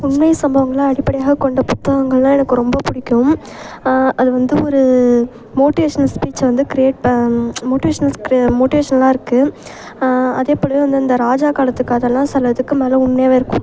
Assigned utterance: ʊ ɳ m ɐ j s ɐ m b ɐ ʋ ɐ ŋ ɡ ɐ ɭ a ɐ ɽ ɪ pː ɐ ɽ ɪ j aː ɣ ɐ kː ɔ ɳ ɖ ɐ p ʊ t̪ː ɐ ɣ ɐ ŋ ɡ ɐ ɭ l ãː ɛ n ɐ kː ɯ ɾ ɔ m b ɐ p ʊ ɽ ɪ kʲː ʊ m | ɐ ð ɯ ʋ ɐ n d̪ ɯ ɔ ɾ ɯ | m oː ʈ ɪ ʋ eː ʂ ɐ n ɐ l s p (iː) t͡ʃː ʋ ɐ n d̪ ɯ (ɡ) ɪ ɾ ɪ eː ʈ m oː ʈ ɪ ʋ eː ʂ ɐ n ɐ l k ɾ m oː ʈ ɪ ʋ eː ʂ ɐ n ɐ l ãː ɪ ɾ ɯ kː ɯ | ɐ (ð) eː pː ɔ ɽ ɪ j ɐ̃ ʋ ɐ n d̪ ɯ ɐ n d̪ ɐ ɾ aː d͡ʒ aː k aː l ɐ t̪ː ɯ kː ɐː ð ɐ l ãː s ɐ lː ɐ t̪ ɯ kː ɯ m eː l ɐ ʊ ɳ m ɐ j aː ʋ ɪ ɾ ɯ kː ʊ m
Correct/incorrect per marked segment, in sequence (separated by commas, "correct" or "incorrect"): correct, incorrect, correct